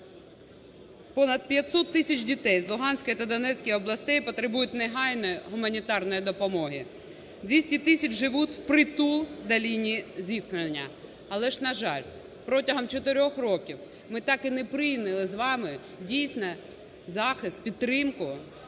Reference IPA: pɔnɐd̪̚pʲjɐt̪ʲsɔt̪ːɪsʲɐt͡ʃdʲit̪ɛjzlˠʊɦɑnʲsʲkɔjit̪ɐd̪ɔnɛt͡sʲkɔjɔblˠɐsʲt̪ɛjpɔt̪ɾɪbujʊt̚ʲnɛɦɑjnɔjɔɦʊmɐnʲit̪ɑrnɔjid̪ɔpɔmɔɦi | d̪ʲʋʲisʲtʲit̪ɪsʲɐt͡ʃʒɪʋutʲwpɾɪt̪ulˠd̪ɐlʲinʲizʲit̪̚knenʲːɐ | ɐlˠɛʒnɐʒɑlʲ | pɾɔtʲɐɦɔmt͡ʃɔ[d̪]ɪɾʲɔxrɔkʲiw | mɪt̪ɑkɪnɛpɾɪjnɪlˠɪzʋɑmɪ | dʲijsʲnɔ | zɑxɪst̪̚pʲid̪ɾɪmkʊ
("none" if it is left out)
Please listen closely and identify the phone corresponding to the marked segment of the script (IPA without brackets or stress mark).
t̪